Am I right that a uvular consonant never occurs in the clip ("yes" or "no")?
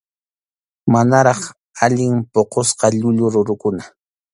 no